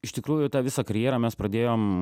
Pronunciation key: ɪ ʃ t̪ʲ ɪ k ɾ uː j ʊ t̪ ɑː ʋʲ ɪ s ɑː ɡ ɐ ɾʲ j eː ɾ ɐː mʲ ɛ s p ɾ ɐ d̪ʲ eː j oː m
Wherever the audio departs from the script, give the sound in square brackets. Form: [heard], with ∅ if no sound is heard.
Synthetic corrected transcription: ɪ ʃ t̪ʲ ɪ k ɾ uː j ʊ t̪ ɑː ʋʲ ɪ s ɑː [k] ɐ ɾʲ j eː ɾ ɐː mʲ ɛ s p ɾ ɐ d̪ʲ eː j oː m